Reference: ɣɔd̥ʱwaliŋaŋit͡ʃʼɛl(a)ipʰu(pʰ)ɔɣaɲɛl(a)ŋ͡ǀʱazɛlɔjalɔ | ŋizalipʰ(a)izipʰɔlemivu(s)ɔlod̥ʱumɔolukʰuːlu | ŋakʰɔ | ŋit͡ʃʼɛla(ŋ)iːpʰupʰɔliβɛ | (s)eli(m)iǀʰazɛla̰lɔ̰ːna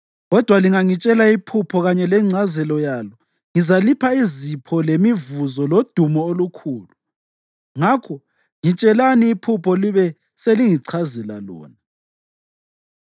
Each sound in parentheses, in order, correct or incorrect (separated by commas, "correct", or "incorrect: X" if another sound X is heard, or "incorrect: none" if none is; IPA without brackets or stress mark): correct, correct, incorrect: ɛ, correct, incorrect: z, incorrect: n, correct, incorrect: ŋ